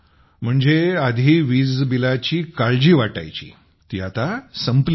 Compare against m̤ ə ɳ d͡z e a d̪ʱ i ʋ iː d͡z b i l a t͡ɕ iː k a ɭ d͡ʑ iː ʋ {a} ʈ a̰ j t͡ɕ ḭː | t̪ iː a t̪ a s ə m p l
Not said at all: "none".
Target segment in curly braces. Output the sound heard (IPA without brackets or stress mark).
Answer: a